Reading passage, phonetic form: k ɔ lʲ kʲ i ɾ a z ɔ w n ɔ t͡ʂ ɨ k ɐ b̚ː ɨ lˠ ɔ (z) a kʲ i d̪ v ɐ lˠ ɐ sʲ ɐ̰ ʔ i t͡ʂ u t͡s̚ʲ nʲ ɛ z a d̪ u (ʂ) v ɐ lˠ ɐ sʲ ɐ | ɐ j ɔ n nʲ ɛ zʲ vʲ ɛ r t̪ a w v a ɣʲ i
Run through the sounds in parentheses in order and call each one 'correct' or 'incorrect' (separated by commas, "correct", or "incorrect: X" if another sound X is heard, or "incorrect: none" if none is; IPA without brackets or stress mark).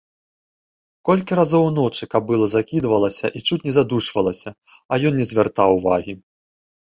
correct, correct